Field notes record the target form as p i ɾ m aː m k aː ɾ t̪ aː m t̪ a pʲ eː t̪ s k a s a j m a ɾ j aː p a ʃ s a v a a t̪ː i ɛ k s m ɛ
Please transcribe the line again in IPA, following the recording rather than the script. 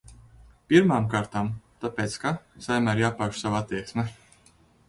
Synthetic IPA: p i ɾ m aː m k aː ɾ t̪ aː m t̪ a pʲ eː t̪ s k a s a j m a ɾ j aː p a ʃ s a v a a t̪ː i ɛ k s m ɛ